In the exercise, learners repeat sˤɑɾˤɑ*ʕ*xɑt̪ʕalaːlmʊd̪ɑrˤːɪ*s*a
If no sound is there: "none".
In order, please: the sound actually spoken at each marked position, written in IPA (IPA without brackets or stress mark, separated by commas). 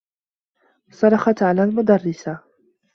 none, s